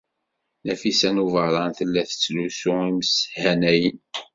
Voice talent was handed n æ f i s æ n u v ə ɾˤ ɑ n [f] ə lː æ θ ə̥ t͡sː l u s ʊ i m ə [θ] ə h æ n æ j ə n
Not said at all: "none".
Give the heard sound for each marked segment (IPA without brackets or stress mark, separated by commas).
θ, s